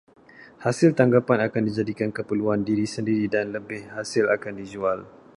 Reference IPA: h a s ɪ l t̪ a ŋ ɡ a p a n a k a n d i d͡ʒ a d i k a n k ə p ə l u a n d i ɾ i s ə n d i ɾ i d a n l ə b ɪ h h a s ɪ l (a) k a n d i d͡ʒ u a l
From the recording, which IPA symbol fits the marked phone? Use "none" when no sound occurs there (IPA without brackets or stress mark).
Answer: a